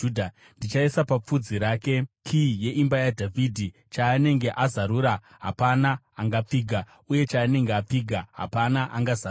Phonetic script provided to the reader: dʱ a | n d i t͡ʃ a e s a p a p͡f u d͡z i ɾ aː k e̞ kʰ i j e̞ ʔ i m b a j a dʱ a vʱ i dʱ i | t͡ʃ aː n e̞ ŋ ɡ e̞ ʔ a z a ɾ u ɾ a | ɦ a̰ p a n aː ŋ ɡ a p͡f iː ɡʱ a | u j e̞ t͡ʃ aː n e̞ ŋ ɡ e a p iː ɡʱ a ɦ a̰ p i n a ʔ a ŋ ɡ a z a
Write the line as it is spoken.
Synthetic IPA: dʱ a | n d i t͡ʃ a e s a p a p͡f u d͡z i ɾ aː k e̞ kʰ i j e̞ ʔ i m b a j a dʱ a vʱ i dʱ i | t͡ʃ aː n e̞ ŋ ɡ e̞ ʔ a z a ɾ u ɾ a | ɦ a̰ p a n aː ŋ ɡ a p͡f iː ɡʱ a | u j e̞ t͡ʃ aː n e̞ ŋ ɡ e a p͡f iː ɡʱ a ɦ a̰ p a n a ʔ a ŋ ɡ a z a